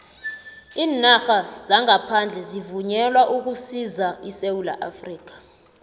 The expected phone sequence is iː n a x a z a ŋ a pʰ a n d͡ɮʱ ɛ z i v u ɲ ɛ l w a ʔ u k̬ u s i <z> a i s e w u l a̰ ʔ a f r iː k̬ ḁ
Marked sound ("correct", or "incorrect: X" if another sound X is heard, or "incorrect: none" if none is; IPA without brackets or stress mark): correct